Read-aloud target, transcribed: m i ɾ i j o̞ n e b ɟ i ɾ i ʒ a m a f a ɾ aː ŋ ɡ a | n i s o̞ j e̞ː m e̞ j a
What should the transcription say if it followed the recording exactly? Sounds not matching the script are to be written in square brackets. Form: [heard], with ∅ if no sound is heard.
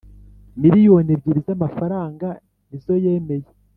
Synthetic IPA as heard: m i ɾ i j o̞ n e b ɟ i ɾ i [z] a m a f a ɾ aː ŋ ɡ a | n i [z] o̞ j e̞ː m e̞ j [e]